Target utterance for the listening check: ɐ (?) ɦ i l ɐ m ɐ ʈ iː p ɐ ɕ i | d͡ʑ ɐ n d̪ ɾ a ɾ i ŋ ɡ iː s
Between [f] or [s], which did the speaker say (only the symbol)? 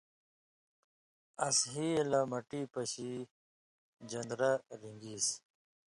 s